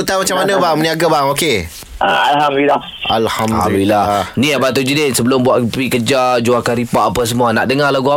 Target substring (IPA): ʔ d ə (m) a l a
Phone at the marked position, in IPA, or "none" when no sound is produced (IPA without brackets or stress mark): ŋ